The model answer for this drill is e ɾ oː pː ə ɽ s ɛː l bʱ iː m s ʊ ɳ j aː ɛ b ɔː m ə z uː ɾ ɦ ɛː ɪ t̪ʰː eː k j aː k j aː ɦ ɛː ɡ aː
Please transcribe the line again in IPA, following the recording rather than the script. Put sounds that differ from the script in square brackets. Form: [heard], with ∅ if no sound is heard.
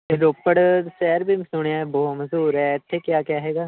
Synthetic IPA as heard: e ɾ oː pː ə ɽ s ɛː [ɾ] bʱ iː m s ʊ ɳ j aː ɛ b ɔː m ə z uː ɾ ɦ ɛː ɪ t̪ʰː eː k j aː k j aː ɦ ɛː ɡ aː